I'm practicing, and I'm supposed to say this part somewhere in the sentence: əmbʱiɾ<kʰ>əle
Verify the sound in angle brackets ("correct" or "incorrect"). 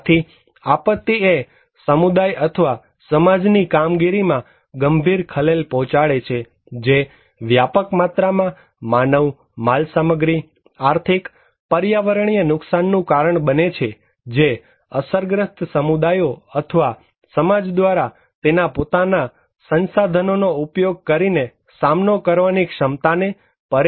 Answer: correct